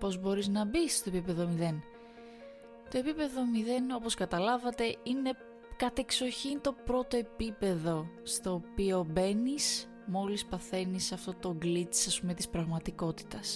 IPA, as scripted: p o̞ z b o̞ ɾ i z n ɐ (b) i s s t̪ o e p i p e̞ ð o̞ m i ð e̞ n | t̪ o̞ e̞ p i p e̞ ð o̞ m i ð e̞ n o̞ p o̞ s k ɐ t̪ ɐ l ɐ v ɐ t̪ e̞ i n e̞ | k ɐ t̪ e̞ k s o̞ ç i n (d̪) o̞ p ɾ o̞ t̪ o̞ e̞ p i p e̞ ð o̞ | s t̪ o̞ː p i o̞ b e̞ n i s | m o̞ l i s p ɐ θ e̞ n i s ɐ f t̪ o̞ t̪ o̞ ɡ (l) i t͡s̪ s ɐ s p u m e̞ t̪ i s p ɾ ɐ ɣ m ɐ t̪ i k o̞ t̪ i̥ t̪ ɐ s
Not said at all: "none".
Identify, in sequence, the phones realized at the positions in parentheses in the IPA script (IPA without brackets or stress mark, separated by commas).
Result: b, t̪, l